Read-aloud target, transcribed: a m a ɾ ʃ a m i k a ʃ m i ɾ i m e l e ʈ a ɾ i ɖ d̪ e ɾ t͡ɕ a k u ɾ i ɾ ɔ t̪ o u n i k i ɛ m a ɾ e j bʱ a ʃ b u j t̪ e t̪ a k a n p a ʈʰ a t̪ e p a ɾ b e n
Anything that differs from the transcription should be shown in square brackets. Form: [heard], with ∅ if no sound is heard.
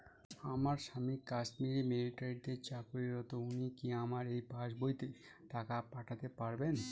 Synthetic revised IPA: a m a ɾ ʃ a m i k a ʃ m i ɾ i m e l [i] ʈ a ɾ i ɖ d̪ e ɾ t͡ɕ a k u ɾ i ɾ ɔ t̪ o u n i k i [a] m a ɾ e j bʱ a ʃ b [o] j t̪ e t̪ a k a [∅] p a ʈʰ a t̪ e p a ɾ b e n

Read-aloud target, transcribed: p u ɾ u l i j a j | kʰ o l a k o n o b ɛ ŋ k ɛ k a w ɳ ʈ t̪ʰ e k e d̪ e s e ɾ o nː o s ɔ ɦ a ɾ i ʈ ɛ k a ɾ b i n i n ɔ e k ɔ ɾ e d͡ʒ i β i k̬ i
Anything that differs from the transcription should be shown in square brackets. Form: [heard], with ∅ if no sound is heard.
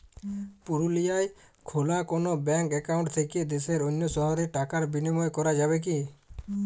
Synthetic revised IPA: p u ɾ u l i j a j | kʰ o l a k o n o b ɛ ŋ k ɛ k a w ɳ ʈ t̪ʰ e k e d̪ e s e ɾ o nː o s ɔ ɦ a ɾ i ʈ [a] k a ɾ b i n i [m] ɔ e k ɔ ɾ [a] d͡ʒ [a] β [e] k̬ i

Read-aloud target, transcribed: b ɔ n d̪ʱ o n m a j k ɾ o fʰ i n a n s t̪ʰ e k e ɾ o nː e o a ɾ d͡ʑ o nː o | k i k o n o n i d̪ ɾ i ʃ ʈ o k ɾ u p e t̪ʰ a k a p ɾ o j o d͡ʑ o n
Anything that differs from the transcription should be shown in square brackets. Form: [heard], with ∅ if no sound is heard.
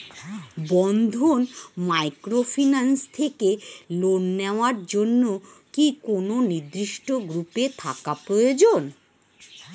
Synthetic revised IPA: b ɔ n d̪ʱ o n m a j k ɾ o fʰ i n a n s t̪ʰ e k e [l] o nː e o a ɾ d͡ʑ o nː o | k i k o n o n i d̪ ɾ i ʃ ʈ o [ɡ] ɾ u p e t̪ʰ a k a p ɾ o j o d͡ʑ o n

